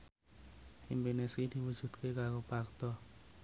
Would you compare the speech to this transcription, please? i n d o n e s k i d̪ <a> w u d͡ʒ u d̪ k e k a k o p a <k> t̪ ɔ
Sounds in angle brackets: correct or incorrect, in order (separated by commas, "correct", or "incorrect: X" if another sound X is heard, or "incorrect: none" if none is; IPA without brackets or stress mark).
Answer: incorrect: i, correct